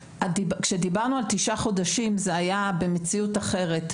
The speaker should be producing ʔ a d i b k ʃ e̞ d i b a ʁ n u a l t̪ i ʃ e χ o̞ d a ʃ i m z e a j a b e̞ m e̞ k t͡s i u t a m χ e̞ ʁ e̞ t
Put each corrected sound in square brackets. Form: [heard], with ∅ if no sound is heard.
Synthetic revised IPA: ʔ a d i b k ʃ e̞ d i b a ʁ n u a l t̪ i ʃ [a] χ o̞ d a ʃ i m z e a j a b e̞ m e̞ [∅] t͡s i u t a [∅] χ e̞ ʁ e̞ t